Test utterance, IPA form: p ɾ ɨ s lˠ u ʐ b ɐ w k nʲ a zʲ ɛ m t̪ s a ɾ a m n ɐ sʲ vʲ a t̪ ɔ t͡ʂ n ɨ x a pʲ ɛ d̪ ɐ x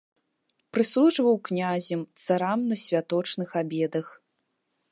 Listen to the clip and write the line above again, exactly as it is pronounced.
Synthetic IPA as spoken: p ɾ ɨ s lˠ u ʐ v ɐ w k nʲ a zʲ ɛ m t̪ s a ɾ a m n ɐ sʲ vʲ a t̪ ɔ t͡ʂ n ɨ x a bʲ ɛ d̪ ɐ x

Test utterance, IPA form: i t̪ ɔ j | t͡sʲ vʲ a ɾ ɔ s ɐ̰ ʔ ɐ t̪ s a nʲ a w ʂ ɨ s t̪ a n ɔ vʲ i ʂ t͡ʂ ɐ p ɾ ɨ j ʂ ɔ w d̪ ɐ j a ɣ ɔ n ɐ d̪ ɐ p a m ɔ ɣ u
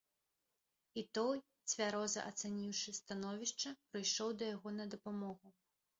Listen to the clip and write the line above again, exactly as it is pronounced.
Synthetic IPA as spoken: i t̪ ɔ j | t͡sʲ vʲ a ɾ ɔ z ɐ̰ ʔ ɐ t̪ s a nʲ i w ʂ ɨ s t̪ a n ɔ vʲ i ʂ t͡ʂ ɐ p ɾ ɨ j ʂ ɔ w d̪ ɐ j a ɣ ɔ n ɐ d̪ ɐ p a m ɔ ɣ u

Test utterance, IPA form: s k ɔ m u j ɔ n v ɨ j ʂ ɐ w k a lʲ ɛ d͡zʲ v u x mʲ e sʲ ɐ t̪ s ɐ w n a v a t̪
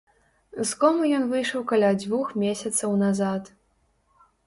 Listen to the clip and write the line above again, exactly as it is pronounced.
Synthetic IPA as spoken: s k ɔ m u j ɔ n v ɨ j ʂ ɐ w k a lʲ a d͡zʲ v u x mʲ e sʲ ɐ t̪ s ɐ w n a z a t̪

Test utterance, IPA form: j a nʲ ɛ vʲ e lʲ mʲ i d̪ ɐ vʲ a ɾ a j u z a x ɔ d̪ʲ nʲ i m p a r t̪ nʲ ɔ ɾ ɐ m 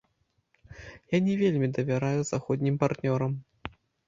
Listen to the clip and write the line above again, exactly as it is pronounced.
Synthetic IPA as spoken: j a nʲ ɛ vʲ e lʲ mʲ i d̪ ɐ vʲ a ɾ a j u z a x ɔ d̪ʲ nʲ i m p a r t̪ nʲ ɔ ɾ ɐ m

